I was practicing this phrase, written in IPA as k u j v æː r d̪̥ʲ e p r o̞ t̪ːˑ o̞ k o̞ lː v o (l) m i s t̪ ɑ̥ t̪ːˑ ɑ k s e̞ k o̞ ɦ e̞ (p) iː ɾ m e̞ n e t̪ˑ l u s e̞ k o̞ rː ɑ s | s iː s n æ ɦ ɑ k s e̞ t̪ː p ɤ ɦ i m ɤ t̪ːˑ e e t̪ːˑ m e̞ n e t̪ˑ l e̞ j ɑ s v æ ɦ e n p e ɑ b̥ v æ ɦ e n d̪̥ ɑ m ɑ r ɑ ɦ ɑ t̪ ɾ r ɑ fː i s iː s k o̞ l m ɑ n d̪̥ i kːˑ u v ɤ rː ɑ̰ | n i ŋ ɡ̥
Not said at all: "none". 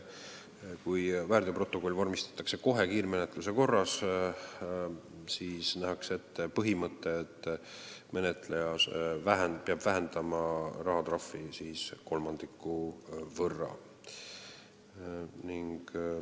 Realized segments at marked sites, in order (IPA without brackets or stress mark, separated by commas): r, k